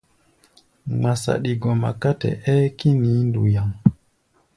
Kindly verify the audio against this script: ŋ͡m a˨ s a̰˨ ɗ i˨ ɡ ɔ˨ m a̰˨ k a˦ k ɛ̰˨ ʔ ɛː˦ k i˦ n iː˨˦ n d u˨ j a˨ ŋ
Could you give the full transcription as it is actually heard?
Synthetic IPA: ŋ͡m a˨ s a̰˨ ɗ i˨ ɡ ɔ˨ m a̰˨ k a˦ t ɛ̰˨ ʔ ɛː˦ k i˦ n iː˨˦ n d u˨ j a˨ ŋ